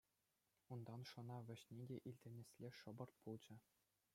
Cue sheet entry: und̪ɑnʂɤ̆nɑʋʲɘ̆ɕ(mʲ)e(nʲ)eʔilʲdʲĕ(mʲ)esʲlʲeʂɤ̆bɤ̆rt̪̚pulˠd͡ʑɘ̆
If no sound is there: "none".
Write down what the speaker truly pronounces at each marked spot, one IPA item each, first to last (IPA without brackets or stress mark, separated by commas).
nʲ, dʲ, nʲ